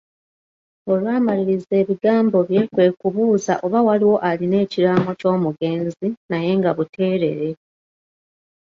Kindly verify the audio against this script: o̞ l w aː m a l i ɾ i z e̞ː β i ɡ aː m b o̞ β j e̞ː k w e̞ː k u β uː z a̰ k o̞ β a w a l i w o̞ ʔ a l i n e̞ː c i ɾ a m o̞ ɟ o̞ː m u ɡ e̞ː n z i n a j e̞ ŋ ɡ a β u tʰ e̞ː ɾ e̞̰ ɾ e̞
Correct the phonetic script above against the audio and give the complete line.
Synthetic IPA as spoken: o̞ l w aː m a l i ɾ i z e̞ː β i ɡ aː m b o̞ β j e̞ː k w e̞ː k u β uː z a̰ ʔ o̞ β a w a l i w o̞ ʔ a l i n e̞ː c i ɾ a m o̞ c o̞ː m u ɡ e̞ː n z i n a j e̞ ŋ ɡ a β u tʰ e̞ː ɾ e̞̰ ɾ e̞